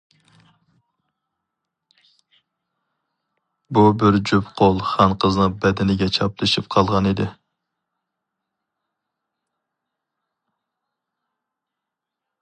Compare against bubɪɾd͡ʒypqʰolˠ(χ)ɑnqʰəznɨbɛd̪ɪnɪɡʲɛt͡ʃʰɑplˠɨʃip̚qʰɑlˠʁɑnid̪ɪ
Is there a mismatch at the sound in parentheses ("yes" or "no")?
no